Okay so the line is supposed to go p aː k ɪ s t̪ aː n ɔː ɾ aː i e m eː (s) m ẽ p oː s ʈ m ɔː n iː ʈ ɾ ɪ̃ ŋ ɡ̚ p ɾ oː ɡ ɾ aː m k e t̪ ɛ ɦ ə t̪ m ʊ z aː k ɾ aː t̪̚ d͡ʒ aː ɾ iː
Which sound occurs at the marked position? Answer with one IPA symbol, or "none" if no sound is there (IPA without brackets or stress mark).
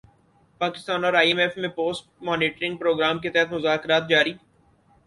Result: f